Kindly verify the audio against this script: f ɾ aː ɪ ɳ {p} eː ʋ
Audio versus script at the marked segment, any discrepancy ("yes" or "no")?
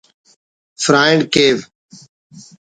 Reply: yes